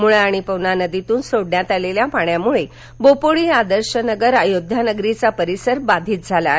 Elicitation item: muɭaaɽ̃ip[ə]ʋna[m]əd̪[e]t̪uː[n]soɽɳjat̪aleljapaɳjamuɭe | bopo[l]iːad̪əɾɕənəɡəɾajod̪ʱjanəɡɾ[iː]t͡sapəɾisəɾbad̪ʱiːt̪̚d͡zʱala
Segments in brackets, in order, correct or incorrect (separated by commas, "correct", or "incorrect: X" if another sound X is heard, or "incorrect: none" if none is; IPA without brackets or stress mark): correct, incorrect: n, incorrect: i, correct, incorrect: ɭ, incorrect: i